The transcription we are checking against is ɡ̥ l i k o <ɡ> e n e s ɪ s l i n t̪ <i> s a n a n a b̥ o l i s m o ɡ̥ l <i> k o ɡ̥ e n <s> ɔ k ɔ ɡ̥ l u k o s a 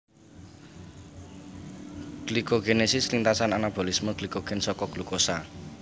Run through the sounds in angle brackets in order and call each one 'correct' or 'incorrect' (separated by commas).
correct, incorrect, correct, correct